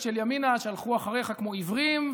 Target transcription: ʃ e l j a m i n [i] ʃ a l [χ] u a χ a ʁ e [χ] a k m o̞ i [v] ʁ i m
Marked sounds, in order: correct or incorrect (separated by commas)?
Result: incorrect, correct, correct, correct